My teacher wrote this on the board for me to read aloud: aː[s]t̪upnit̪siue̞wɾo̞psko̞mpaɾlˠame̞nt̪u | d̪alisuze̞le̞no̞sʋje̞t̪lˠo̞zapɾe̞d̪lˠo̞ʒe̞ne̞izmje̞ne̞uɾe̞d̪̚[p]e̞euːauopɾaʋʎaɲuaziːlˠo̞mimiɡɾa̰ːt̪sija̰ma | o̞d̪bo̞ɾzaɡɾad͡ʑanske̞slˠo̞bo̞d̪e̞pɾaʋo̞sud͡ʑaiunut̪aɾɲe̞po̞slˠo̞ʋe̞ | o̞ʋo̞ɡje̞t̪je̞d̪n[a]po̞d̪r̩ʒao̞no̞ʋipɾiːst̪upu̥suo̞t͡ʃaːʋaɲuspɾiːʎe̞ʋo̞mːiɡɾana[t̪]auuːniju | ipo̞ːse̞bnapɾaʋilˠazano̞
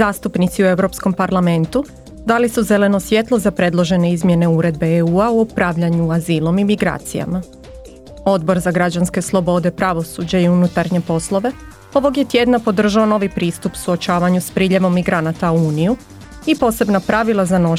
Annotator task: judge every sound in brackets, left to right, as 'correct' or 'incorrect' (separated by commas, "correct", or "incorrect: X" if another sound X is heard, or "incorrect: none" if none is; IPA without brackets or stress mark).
correct, incorrect: b, correct, correct